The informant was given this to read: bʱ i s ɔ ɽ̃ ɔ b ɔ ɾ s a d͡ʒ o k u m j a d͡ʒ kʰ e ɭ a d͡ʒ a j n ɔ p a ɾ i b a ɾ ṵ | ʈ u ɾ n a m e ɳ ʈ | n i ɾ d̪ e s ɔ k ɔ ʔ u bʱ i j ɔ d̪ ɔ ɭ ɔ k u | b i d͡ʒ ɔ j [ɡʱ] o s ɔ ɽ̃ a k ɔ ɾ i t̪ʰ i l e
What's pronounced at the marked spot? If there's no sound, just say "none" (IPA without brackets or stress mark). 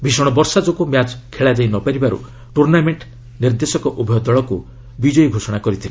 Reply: ɡʱ